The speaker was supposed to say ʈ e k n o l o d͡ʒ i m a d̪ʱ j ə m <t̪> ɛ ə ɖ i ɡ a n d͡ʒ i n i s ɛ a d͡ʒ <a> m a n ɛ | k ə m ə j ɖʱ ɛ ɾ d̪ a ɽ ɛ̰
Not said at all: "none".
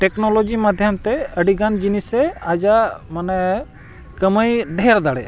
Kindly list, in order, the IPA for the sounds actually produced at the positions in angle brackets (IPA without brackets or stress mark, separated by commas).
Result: t̪, a